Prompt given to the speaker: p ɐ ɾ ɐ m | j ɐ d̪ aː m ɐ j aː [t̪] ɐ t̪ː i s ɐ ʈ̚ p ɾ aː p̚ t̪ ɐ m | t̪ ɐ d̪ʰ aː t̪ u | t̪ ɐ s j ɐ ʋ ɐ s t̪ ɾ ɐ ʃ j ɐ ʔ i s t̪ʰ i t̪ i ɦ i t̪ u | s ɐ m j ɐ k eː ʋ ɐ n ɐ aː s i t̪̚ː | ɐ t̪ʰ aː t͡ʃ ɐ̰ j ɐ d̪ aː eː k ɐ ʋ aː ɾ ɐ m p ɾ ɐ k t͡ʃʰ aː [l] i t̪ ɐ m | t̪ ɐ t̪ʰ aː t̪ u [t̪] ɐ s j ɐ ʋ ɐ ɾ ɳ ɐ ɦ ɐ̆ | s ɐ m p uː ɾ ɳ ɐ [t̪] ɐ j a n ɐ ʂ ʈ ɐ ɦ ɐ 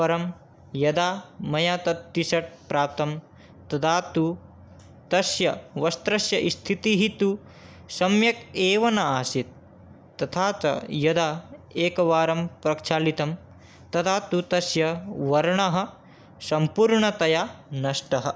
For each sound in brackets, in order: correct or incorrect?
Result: correct, correct, correct, correct

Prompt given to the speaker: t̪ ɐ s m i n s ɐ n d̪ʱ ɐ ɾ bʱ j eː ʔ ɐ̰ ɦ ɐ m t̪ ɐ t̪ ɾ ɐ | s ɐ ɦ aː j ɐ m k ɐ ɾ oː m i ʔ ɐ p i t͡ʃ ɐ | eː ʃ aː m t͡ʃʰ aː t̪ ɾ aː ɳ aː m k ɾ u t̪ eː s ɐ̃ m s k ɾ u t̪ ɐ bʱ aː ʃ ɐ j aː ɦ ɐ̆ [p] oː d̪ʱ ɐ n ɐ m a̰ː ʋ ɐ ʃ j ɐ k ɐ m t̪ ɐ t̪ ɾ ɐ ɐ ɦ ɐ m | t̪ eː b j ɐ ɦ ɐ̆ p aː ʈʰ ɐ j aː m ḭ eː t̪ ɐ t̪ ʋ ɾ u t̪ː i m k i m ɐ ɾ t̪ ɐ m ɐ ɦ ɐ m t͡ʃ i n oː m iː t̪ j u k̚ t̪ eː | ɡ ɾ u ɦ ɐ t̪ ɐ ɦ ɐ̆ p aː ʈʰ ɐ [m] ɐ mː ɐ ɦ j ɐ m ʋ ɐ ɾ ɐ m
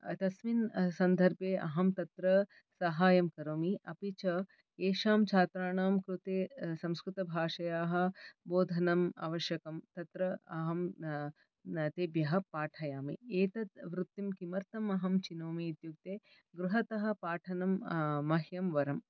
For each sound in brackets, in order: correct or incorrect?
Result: incorrect: b, incorrect: n

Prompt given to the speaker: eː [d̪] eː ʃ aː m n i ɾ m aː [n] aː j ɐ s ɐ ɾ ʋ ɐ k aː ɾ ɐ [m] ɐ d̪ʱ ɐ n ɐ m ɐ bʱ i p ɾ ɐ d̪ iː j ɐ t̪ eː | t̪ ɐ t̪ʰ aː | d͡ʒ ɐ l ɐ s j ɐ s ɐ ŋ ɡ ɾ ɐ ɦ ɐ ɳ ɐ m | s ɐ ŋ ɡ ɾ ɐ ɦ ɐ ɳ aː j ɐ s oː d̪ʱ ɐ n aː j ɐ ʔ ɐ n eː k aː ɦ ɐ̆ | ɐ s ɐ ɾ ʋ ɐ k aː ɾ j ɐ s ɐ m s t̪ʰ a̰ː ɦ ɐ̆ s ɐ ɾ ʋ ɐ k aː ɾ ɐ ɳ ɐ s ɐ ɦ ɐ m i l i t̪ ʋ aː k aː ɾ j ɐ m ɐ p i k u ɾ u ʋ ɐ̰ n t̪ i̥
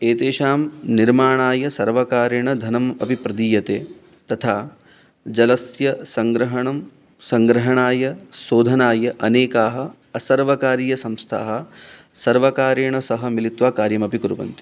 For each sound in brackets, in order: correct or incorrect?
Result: incorrect: t̪, incorrect: ɳ, incorrect: ɳ

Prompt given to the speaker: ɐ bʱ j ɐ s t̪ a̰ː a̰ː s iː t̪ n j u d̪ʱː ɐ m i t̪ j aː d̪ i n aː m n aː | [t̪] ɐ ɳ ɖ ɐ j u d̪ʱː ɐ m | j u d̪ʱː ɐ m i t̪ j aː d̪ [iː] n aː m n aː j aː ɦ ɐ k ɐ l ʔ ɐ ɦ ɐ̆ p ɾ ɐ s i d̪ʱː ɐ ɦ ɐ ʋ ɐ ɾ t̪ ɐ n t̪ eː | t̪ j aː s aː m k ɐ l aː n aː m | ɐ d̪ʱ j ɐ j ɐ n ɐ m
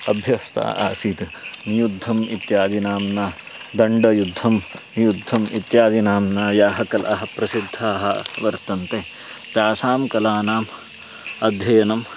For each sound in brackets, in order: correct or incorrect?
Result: incorrect: d̪, incorrect: i

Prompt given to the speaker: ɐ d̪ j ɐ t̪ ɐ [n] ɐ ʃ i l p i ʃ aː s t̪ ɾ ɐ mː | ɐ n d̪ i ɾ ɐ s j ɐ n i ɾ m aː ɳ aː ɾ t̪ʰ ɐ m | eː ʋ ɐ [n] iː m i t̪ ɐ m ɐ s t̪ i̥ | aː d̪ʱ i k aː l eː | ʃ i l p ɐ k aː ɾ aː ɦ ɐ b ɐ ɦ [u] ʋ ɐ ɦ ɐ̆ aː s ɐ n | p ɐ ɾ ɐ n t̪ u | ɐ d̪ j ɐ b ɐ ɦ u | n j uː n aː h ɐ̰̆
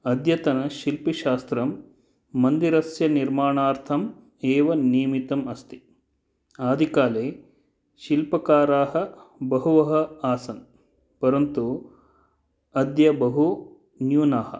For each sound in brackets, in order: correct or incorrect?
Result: correct, correct, correct

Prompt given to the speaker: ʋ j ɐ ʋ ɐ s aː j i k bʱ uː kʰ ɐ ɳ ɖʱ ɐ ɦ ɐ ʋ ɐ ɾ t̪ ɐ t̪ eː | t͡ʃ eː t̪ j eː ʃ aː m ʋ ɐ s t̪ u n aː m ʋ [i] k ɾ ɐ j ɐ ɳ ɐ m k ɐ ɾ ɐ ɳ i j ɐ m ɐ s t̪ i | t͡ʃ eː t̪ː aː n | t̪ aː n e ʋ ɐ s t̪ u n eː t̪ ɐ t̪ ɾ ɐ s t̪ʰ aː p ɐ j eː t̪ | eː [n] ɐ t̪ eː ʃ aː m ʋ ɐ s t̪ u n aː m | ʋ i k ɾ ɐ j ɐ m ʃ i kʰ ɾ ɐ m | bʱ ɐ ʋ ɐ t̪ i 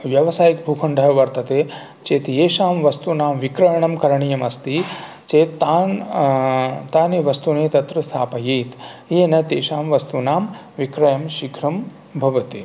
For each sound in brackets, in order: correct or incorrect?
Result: correct, correct

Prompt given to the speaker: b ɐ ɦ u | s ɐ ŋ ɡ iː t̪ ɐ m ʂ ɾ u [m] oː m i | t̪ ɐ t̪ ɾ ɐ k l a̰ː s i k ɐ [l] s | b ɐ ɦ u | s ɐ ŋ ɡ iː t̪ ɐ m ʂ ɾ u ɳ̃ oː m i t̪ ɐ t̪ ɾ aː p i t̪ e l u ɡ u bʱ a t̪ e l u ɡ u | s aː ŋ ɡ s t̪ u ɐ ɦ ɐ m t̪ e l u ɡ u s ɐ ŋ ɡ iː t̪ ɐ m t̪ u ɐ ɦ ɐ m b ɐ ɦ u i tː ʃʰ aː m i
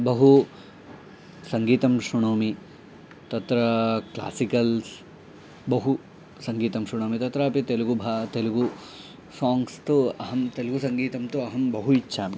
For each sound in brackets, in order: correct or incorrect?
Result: incorrect: ɳ, correct

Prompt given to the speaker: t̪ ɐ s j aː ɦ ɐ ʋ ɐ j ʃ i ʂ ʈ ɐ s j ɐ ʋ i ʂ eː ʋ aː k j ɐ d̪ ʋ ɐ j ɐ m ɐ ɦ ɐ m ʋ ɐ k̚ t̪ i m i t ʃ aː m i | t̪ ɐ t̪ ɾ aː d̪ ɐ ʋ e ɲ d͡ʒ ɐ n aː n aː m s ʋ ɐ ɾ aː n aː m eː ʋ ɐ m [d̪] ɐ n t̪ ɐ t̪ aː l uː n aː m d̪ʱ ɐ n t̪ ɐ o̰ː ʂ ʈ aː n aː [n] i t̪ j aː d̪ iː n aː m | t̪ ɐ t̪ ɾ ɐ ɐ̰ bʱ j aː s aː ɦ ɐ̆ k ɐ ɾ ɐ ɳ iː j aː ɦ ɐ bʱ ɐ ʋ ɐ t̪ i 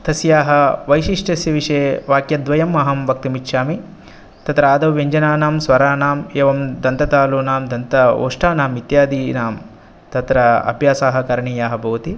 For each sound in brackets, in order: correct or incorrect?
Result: correct, incorrect: m

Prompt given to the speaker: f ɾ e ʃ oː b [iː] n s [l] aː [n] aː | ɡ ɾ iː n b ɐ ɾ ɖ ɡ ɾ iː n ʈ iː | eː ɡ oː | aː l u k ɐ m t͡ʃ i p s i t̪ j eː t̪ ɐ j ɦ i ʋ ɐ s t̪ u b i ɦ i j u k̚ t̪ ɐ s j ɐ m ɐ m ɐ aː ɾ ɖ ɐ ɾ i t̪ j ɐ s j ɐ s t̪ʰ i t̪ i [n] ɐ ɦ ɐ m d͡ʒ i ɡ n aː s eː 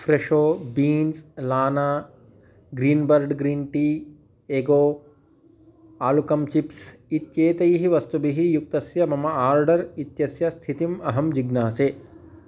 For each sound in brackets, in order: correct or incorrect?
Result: correct, correct, correct, incorrect: m

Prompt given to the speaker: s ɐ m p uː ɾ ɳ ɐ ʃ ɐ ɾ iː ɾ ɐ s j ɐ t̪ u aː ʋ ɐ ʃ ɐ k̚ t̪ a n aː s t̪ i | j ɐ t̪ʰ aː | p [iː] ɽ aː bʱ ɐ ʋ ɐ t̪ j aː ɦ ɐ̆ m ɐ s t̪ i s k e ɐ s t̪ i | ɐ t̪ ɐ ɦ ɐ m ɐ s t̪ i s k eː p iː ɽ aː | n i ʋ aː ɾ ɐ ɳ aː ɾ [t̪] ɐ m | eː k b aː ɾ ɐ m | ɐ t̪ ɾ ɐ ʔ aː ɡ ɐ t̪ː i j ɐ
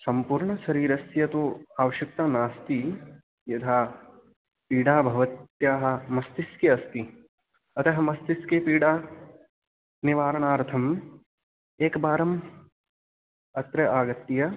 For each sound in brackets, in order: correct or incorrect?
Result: correct, incorrect: t̪ʰ

